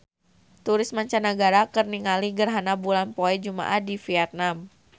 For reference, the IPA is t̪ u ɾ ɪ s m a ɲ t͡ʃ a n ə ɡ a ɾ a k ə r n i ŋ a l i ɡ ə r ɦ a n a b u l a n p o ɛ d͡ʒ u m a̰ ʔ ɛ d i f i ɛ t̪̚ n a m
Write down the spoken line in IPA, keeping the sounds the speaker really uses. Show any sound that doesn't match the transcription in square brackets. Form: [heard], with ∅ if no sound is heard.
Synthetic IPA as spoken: t̪ u ɾ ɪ s m a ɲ t͡ʃ a n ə ɡ a ɾ a k ə r n i ŋ a l i ɡ ə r ɦ a n a b u l a n p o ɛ d͡ʒ u m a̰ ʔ [a] d i f i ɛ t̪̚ n a m